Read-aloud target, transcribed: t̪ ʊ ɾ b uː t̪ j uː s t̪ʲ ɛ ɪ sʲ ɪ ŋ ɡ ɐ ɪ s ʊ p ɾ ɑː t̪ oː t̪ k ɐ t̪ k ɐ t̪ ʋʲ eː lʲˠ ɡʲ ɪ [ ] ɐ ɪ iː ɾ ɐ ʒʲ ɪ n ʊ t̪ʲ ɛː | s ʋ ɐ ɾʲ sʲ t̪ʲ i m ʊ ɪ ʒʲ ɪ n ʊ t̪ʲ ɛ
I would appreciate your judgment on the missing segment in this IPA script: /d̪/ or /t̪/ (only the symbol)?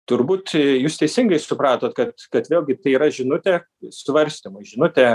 t̪